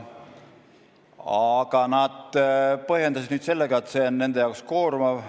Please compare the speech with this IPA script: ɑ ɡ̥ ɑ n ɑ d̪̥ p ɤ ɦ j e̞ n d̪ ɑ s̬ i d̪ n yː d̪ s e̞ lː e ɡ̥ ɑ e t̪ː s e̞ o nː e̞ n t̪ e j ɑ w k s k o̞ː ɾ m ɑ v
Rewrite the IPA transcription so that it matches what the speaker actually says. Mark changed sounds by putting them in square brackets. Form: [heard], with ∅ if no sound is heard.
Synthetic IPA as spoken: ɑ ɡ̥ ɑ n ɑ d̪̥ p ɤ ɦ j e̞ n d̪ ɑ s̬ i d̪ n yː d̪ s e̞ lː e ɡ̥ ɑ e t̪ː s e̞ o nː e̞ n [d̪] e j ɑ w k s k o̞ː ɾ m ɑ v